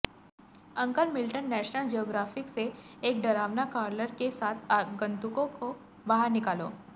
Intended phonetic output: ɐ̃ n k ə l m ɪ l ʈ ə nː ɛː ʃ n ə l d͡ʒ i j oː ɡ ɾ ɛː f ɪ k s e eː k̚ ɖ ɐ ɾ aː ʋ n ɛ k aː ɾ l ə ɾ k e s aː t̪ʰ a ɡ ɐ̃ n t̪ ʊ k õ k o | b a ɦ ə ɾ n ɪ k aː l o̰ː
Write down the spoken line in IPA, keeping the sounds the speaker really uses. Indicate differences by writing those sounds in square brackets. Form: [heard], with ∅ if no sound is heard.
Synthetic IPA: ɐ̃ [ŋ] k ə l m ɪ l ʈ ə nː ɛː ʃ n ə l d͡ʒ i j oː ɡ ɾ [aː] f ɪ k s e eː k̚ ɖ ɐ ɾ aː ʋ n [a] k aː ɾ l ə ɾ k e s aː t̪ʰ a ɡ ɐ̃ n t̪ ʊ k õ k o | b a ɦ ə ɾ n ɪ k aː l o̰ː